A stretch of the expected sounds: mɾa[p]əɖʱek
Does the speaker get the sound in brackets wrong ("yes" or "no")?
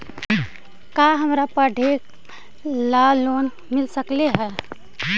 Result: no